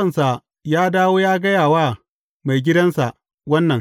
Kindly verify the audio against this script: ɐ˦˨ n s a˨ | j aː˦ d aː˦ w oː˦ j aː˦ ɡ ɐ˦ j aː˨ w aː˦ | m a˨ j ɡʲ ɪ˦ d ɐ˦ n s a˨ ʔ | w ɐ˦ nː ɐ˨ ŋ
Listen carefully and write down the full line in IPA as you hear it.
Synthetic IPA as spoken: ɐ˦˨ n s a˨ | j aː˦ d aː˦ w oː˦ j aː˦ ɡ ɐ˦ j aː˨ w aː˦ | m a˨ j ɡʲ ɪ˦ d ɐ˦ n s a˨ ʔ | w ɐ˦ nː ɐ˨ ŋ